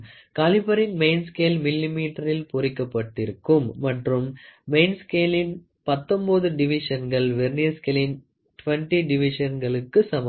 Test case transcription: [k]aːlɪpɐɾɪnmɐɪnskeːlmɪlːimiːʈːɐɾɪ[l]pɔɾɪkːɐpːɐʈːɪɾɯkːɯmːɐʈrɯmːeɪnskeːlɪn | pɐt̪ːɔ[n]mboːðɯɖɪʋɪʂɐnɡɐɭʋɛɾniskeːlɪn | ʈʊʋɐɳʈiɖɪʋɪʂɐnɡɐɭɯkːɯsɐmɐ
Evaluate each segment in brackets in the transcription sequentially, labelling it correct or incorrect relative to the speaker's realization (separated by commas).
correct, correct, incorrect